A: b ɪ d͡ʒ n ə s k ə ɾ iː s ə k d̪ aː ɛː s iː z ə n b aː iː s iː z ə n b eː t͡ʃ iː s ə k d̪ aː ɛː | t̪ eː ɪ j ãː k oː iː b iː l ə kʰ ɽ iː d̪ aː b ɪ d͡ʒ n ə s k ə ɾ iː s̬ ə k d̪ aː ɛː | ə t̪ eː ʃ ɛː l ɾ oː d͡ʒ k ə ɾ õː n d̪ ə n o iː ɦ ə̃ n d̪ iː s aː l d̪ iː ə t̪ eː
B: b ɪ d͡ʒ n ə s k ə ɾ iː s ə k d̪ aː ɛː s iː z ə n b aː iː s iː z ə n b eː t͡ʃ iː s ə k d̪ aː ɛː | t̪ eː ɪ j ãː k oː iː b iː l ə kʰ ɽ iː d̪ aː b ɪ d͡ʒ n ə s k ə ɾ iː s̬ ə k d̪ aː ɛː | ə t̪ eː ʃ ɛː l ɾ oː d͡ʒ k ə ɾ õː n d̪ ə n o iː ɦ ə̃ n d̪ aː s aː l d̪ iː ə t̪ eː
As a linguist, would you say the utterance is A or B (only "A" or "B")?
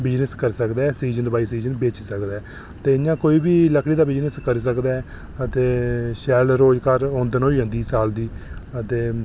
A